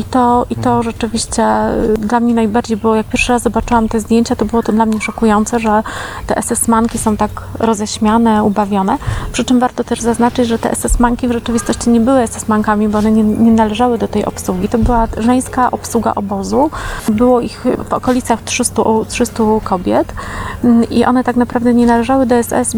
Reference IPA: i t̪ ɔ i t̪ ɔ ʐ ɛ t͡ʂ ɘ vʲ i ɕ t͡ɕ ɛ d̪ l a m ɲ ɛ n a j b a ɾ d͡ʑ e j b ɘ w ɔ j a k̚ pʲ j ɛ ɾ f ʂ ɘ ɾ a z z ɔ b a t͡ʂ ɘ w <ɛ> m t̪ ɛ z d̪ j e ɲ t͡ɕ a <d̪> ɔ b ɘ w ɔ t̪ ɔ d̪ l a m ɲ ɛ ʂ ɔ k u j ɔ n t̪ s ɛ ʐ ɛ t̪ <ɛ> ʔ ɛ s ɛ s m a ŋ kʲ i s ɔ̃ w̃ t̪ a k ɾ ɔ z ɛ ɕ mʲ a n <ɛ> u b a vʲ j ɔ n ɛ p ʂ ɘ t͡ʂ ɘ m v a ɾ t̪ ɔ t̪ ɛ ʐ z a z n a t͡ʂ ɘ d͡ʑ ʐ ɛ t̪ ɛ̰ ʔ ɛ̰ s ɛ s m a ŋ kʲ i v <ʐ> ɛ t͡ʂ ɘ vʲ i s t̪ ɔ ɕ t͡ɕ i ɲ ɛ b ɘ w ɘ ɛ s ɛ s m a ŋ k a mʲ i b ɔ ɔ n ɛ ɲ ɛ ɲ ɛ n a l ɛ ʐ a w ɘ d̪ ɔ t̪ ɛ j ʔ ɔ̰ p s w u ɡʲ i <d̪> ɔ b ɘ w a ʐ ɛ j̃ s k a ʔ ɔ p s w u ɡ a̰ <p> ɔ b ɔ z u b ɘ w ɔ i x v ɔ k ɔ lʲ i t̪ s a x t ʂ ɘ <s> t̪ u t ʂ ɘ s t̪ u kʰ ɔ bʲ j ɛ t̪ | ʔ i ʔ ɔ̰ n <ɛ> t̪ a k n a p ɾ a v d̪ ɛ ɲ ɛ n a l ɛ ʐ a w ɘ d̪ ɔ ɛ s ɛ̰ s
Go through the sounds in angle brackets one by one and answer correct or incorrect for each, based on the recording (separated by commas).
incorrect, incorrect, correct, correct, correct, incorrect, incorrect, correct, correct